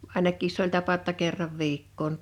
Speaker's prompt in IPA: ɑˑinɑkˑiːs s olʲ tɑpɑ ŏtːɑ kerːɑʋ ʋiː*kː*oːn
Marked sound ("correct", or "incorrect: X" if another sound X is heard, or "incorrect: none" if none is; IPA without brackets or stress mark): correct